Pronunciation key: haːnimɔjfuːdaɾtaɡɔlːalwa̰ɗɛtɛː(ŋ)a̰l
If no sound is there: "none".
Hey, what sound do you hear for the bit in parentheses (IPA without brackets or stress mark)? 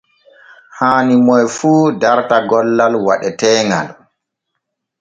ŋ